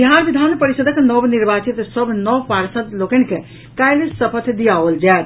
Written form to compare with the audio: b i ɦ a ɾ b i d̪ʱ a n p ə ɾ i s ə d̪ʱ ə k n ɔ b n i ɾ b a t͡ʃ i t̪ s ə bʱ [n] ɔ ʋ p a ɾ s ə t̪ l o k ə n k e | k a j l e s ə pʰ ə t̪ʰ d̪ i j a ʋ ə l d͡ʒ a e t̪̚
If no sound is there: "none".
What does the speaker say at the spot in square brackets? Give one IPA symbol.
n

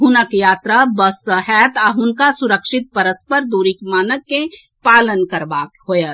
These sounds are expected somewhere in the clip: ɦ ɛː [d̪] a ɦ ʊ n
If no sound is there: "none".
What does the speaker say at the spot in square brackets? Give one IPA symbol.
t̪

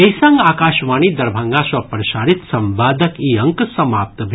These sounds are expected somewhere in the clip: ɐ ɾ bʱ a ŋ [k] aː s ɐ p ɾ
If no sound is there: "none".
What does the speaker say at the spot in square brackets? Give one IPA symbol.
ɡ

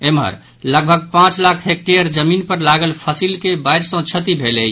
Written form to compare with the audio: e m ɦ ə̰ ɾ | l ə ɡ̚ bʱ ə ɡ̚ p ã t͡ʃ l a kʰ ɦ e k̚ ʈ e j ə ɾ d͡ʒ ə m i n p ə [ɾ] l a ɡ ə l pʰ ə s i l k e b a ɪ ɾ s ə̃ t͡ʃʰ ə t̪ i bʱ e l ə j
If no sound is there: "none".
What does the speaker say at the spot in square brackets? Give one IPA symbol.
ɾ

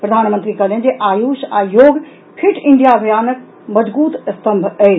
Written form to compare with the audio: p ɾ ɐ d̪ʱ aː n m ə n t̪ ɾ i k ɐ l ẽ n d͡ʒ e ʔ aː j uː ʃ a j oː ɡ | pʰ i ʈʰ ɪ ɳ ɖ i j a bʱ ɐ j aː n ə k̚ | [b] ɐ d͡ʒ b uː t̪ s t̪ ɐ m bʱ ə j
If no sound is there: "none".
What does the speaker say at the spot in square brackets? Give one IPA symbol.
m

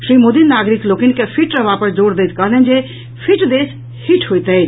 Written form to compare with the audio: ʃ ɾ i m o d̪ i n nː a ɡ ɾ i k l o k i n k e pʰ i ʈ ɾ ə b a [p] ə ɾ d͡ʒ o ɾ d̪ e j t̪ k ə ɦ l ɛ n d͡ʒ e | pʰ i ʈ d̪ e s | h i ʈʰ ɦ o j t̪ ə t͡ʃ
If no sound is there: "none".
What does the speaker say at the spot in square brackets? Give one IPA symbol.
p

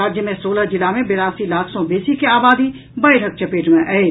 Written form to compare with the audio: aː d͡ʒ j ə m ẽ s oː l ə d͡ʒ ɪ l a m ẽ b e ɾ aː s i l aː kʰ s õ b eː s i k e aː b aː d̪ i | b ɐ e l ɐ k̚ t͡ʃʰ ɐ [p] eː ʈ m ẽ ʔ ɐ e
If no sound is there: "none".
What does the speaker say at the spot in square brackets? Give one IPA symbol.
p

